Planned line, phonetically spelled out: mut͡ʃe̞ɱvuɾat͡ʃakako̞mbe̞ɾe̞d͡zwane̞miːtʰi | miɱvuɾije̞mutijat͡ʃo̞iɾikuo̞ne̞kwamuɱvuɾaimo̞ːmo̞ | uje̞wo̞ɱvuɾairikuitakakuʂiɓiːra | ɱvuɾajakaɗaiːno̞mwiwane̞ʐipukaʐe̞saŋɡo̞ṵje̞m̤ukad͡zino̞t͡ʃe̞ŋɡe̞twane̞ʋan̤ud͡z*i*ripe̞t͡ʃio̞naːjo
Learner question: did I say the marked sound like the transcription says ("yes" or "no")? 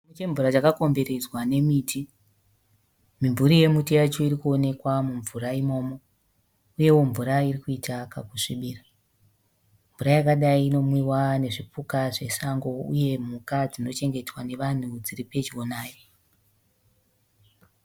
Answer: yes